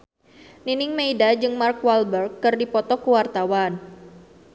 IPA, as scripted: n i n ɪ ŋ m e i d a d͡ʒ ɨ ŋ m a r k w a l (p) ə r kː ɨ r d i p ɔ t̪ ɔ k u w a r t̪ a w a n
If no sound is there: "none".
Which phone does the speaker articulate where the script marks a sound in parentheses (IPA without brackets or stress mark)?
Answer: b